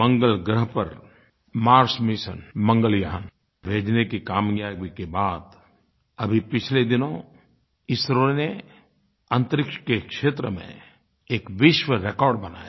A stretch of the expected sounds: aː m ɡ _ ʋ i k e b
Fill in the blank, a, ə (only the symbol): a